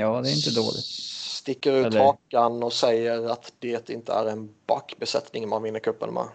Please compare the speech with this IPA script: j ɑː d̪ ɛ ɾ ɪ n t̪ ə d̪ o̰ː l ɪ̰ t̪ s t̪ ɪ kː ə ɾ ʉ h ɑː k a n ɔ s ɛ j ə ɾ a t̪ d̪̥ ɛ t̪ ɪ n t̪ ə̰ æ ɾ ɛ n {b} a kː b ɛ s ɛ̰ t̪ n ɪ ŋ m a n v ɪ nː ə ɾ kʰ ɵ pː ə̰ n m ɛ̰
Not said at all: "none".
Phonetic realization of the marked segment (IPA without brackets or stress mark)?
b